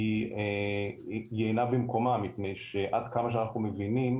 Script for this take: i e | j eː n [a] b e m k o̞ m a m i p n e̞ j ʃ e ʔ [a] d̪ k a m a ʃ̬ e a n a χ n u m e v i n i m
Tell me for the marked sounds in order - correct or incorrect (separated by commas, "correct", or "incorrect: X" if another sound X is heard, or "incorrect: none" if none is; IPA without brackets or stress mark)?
correct, correct